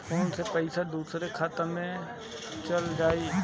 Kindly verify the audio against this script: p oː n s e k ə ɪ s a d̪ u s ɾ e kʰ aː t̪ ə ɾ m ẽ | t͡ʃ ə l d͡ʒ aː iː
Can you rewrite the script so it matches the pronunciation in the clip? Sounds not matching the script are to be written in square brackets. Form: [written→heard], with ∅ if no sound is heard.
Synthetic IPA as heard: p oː n s e [k→p] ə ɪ s a d̪ [u→uː] s ɾ e kʰ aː t̪ ə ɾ m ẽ | t͡ʃ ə l d͡ʒ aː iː